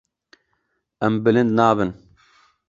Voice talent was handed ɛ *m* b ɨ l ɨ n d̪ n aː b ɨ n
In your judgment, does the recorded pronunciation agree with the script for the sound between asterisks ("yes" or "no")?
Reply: yes